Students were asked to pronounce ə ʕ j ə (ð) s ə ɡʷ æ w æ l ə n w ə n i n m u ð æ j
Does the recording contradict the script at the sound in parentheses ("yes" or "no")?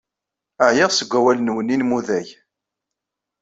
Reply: yes